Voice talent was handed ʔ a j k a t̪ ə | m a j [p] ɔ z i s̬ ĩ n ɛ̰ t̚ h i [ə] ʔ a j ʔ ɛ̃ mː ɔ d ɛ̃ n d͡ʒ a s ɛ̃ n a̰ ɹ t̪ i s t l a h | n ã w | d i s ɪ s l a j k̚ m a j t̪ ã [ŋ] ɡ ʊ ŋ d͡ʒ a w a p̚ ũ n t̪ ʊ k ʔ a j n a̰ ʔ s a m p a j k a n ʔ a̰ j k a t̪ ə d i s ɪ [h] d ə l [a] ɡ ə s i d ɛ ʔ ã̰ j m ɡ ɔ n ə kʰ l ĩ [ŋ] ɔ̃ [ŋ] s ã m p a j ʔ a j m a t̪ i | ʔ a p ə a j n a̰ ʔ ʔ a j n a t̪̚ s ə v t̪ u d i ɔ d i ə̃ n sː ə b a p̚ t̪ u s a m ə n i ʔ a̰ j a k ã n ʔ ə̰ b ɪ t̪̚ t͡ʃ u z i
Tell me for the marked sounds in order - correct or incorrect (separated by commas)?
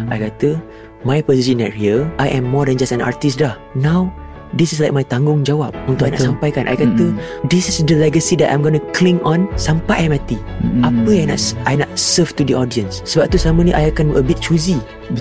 correct, correct, correct, incorrect, incorrect, correct, incorrect